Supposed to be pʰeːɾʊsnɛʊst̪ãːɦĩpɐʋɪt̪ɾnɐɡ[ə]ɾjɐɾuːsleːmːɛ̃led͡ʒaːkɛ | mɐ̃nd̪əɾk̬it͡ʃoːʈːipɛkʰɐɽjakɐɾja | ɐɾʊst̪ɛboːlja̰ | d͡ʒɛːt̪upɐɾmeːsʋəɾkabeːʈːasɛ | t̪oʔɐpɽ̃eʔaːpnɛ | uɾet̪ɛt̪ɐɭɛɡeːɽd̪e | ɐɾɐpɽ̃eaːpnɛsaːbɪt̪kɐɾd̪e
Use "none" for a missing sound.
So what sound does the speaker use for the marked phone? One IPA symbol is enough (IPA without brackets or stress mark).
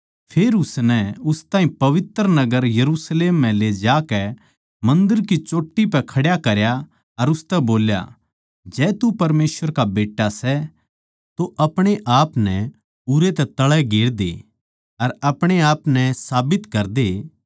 ə